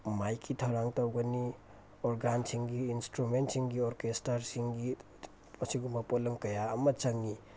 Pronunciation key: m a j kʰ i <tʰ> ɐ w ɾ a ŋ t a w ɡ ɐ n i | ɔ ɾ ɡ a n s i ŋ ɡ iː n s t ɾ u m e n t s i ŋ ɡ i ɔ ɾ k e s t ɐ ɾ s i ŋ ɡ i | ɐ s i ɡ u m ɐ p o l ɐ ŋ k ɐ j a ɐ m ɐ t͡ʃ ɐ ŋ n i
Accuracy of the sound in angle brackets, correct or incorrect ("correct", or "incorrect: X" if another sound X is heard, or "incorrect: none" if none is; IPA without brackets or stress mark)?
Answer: correct